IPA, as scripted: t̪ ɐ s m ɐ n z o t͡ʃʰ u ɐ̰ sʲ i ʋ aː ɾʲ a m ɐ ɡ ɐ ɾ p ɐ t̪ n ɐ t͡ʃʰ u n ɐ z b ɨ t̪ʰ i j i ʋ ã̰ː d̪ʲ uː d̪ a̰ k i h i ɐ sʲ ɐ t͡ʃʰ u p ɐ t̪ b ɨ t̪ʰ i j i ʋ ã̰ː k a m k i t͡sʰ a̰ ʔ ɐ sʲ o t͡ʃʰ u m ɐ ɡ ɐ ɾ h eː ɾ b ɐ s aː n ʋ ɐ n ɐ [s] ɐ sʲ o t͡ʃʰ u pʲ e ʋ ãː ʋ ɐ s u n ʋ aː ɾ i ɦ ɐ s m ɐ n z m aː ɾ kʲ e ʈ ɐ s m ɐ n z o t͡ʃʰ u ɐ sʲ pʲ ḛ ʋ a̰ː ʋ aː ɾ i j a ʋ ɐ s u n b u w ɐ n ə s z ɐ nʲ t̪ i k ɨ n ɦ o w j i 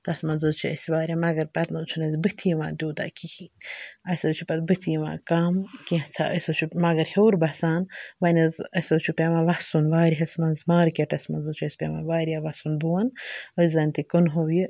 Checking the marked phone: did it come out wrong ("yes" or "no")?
yes